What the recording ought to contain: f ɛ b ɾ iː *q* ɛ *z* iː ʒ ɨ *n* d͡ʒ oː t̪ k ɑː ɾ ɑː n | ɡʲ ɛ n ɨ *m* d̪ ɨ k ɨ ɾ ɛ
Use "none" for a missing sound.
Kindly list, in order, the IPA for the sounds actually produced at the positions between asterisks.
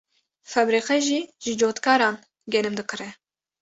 q, ʒ, none, m

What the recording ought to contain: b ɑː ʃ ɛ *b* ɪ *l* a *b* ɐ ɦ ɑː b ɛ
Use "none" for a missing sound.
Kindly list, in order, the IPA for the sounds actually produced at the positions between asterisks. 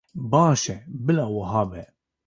b, l, w

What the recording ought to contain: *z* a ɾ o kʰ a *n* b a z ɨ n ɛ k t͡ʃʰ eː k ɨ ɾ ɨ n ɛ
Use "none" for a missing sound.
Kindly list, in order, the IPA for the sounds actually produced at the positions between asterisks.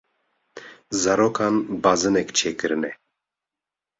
z, n

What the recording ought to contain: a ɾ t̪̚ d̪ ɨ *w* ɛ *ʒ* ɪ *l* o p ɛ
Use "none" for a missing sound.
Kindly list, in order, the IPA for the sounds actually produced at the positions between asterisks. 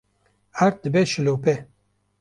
b, ʃ, l

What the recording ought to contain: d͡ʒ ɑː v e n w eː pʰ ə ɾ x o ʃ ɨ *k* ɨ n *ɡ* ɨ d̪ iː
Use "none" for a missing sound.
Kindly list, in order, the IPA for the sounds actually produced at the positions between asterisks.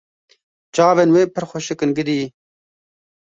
k, ɡ

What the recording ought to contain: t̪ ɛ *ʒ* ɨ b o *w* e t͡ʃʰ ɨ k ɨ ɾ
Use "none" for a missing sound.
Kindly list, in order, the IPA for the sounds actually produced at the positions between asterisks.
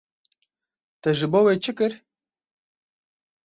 ʒ, w

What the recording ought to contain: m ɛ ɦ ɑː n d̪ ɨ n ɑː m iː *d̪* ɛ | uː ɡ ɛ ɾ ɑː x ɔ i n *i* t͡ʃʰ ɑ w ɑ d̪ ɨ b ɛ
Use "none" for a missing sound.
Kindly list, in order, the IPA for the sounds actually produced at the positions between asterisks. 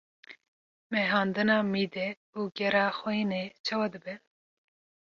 d̪, e

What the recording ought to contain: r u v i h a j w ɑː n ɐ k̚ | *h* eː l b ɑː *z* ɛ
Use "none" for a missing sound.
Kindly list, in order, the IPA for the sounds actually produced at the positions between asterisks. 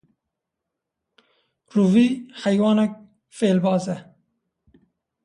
f, z

